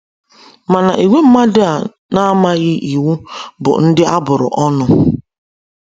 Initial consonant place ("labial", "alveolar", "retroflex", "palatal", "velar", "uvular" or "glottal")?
labial